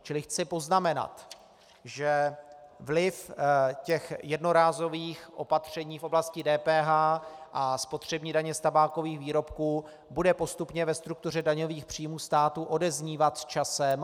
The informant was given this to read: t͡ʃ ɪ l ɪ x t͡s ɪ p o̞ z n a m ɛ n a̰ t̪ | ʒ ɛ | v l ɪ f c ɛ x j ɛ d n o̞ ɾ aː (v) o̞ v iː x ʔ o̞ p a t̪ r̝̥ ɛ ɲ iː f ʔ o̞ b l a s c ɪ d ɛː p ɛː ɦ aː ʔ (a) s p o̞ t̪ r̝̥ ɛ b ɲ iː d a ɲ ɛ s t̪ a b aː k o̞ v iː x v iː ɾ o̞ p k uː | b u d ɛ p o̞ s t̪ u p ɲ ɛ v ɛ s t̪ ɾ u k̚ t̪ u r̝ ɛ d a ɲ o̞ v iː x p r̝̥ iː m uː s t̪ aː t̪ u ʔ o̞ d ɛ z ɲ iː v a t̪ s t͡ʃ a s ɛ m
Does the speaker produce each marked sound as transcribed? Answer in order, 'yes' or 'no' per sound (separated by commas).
no, yes